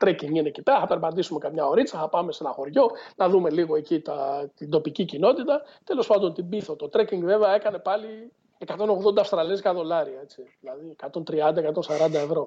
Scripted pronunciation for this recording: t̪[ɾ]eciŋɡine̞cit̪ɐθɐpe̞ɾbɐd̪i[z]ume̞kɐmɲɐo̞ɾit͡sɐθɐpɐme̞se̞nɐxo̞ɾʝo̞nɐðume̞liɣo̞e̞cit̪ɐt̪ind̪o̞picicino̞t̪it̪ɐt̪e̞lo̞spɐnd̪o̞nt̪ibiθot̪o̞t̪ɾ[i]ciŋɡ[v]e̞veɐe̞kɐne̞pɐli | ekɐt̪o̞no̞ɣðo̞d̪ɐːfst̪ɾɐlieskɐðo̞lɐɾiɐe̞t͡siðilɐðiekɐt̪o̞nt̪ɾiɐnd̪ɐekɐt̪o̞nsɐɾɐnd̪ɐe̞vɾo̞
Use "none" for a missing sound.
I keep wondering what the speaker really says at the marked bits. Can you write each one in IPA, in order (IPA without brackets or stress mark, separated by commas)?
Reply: ɾ, s, e, v